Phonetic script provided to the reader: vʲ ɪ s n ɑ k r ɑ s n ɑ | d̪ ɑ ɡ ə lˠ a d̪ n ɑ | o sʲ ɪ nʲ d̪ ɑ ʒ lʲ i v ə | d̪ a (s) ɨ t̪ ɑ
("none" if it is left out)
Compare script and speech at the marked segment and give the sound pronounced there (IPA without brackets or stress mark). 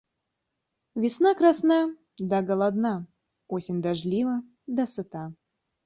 s